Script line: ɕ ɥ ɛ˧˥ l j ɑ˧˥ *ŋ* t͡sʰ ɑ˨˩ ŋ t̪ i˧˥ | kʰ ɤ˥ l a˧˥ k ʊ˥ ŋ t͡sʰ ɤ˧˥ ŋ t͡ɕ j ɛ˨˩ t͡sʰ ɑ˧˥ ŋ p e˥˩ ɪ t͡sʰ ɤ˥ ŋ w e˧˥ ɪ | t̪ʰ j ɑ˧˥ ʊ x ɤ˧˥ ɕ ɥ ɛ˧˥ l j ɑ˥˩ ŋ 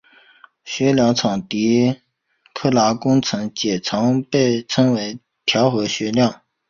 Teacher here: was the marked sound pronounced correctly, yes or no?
yes